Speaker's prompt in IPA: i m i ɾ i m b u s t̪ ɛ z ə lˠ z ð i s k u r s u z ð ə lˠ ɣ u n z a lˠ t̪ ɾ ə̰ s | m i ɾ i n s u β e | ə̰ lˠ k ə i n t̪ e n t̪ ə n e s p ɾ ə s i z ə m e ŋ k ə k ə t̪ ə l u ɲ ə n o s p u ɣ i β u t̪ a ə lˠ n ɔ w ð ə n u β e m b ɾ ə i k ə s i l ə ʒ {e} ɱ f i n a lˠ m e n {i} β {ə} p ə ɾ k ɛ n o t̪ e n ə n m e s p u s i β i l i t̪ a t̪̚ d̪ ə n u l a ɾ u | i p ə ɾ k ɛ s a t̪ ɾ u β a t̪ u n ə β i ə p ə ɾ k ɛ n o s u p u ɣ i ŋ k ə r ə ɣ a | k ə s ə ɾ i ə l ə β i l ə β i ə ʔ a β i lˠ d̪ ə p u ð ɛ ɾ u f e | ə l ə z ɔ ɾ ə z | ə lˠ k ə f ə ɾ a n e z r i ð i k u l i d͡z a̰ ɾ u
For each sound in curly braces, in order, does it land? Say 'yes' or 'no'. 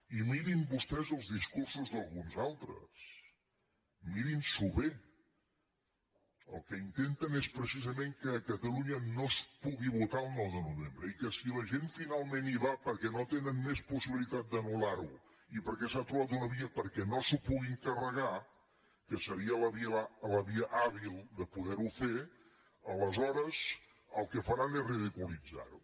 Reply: yes, yes, no

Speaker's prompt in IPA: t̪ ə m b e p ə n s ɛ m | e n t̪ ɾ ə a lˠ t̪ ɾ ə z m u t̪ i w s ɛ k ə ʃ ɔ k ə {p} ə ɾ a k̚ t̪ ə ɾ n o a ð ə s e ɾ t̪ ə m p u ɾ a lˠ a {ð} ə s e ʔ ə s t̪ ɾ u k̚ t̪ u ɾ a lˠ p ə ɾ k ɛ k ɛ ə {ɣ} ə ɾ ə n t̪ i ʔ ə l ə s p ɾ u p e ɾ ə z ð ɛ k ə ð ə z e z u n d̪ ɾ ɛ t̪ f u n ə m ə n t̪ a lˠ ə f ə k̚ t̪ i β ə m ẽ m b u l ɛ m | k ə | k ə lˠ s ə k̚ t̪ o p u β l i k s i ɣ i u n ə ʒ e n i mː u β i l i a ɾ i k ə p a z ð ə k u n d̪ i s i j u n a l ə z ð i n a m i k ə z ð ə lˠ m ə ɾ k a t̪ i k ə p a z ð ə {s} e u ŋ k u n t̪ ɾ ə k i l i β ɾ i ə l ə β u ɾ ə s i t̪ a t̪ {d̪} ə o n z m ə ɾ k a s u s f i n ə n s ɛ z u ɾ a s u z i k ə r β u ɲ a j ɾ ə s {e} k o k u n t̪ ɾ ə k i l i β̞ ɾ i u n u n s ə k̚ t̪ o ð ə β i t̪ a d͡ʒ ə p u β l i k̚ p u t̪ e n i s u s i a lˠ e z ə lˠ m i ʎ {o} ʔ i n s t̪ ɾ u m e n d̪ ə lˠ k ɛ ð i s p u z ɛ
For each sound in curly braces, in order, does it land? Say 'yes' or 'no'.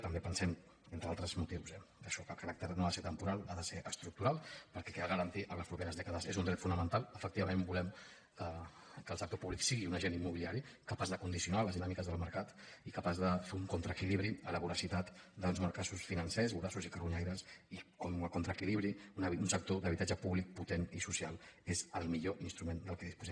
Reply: no, yes, yes, no, yes, no, yes

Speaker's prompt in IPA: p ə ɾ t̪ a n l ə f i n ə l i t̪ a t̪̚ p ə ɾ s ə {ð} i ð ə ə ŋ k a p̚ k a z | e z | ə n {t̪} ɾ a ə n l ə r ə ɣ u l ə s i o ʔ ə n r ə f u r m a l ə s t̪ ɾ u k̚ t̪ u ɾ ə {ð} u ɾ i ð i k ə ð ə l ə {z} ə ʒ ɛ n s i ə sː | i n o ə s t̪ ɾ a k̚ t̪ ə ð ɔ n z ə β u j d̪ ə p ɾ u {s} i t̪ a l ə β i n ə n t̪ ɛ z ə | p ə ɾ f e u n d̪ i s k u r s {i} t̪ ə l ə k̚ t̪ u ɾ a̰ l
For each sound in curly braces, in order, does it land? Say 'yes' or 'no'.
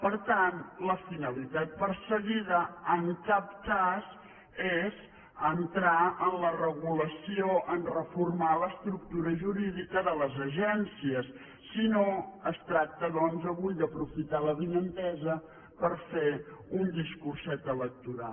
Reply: no, yes, no, yes, no, no

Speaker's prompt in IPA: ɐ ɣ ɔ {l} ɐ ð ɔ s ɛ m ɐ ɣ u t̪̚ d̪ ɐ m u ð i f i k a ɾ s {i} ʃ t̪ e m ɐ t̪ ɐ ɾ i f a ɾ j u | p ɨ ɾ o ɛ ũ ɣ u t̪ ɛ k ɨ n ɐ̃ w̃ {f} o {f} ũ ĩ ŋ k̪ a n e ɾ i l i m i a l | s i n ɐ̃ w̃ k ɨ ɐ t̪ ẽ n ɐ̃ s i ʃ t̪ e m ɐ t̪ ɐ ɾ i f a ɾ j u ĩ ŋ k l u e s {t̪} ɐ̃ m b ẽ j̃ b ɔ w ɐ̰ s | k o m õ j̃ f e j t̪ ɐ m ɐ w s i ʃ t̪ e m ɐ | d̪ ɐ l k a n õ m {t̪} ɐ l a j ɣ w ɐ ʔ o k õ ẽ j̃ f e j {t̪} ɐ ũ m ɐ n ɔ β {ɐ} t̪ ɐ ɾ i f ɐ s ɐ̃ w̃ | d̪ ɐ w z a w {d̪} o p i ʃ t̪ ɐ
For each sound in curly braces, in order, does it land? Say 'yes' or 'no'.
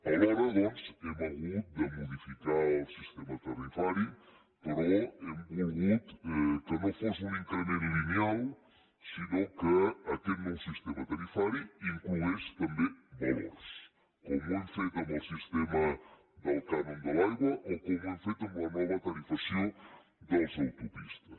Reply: no, yes, yes, no, yes, no, yes, yes, no

